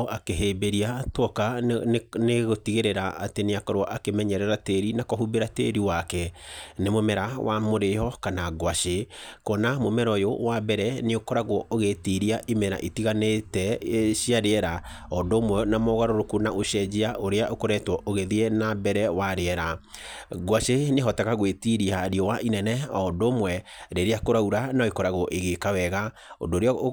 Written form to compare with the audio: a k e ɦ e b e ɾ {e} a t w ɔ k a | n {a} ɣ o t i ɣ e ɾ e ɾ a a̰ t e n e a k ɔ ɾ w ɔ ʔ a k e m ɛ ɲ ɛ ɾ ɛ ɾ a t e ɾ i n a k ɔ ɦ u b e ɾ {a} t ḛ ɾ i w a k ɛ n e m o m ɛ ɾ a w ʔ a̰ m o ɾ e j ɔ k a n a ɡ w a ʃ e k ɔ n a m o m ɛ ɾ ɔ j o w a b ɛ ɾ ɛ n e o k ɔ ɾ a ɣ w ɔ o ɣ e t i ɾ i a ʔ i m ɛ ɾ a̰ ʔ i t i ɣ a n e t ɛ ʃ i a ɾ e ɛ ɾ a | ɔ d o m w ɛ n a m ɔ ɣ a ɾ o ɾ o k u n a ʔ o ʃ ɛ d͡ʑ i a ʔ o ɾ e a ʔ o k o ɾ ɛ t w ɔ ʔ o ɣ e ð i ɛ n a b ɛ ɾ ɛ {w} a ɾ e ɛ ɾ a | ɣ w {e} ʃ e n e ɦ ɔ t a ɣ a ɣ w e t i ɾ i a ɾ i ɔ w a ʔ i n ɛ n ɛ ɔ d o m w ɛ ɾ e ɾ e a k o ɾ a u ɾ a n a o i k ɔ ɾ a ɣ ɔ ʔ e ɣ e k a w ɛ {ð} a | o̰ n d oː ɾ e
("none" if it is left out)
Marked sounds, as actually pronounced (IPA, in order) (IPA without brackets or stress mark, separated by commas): i, e, a, w, a, ɣ